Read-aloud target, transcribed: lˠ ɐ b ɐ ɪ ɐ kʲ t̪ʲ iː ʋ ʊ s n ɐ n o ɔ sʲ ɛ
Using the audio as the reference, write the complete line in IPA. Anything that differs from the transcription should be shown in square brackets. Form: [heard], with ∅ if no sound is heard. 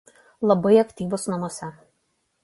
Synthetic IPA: lˠ ɐ b ɐ ɪ ɐ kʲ t̪ʲ iː ʋ ʊ s n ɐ [m] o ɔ sʲ ɛ